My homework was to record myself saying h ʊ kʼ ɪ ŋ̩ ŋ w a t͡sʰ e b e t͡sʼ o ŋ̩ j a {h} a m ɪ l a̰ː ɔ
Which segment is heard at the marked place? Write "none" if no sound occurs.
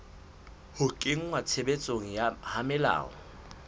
h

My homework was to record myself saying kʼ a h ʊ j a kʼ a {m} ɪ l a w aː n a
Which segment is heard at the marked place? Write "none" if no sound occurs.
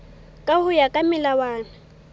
m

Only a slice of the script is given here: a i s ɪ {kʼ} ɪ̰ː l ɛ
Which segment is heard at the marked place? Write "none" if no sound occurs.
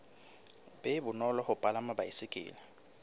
kʼ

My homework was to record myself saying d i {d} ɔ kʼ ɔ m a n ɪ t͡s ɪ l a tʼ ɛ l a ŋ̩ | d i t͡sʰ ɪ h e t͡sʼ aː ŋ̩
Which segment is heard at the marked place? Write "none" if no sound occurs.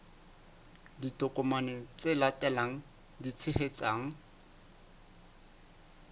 t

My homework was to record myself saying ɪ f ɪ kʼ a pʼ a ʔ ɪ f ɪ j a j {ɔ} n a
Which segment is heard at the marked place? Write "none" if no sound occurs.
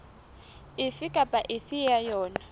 ɔː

